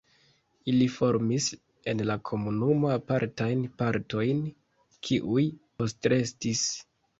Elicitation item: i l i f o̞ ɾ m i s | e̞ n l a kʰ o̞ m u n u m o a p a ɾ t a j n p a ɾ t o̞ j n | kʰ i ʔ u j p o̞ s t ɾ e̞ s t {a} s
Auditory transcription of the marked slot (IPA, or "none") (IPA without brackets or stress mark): i